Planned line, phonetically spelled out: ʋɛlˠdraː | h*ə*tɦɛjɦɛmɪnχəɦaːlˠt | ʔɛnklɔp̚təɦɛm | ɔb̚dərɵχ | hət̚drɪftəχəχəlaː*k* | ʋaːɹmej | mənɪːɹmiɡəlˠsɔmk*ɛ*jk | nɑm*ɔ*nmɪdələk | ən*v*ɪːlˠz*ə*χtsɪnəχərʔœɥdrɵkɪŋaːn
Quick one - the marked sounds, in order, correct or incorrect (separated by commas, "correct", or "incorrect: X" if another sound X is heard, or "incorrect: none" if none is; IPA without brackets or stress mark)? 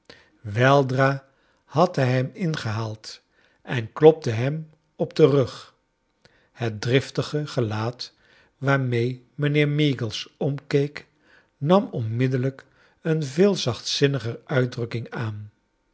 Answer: incorrect: ɑ, incorrect: t, incorrect: e, correct, correct, incorrect: ɑ